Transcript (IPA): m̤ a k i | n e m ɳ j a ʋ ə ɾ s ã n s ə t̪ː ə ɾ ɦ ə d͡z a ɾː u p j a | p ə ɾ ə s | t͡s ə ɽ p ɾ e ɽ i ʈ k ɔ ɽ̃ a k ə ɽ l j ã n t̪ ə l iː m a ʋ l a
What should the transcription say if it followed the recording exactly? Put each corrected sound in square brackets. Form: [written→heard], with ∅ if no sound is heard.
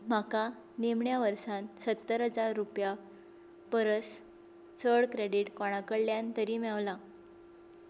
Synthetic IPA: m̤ a k [i→a] | n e m ɳ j a ʋ ə ɾ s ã n s ə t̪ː ə ɾ ɦ ə d͡z a ɾː u p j a | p ə ɾ ə s | t͡s ə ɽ [p→k] ɾ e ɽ i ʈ k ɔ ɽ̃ a k ə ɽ l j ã n t̪ ə [l→ɾ] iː m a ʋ l a